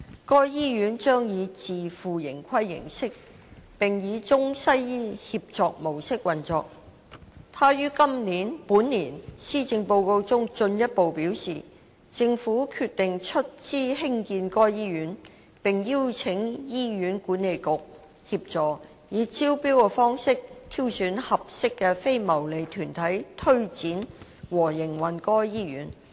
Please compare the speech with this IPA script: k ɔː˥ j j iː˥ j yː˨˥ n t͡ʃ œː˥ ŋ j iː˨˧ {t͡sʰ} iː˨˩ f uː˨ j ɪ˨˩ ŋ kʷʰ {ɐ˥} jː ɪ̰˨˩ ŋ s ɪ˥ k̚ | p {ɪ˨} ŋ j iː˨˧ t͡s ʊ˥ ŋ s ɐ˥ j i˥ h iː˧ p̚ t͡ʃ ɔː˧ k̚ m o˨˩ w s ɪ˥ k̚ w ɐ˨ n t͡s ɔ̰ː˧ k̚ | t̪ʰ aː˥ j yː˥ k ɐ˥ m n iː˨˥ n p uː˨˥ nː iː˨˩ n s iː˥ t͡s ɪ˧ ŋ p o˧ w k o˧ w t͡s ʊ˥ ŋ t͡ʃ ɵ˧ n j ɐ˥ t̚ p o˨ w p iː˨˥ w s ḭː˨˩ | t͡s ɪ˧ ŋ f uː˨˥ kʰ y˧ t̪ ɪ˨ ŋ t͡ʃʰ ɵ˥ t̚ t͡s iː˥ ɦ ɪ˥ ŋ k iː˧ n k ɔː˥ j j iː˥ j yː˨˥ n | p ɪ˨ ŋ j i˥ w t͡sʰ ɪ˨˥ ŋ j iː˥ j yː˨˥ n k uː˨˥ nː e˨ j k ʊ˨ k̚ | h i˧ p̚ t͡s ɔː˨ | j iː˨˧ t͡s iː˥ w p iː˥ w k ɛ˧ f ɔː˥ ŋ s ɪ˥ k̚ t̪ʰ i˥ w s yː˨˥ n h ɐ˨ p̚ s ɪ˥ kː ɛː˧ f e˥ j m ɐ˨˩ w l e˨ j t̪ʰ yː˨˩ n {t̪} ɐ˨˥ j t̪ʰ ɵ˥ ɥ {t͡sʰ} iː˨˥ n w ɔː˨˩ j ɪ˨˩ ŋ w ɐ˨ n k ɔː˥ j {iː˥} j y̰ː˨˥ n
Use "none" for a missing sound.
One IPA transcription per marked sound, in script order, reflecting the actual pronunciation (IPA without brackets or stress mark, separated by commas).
t͡s, ɐ˥, ɪ˨, t̪ʰ, t͡s, iː˥